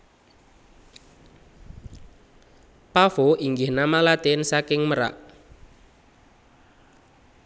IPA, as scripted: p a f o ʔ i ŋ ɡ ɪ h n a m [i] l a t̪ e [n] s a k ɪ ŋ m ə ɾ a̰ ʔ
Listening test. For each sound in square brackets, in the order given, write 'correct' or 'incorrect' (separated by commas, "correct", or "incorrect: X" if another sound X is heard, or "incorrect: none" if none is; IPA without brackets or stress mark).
incorrect: a, correct